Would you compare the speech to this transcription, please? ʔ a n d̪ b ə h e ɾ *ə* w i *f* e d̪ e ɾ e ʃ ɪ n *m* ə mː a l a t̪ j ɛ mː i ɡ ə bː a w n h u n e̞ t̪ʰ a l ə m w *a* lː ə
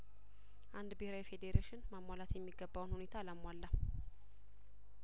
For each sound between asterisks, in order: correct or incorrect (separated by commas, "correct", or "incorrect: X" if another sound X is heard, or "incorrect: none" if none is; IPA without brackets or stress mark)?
incorrect: a, correct, correct, correct